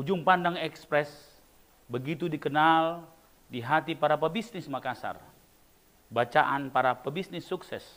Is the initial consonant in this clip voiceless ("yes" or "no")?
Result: no